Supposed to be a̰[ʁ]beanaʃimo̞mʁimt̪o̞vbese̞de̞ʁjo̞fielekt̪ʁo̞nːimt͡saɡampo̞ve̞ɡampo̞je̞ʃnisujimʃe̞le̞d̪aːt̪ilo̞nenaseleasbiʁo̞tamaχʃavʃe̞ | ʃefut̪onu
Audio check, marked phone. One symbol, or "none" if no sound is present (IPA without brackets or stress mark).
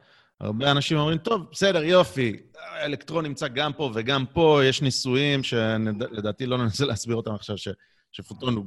ʁ